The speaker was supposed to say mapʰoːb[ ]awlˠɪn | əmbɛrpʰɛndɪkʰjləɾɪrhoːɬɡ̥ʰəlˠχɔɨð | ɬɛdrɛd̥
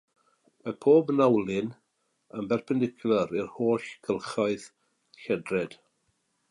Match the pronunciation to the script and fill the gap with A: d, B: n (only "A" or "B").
B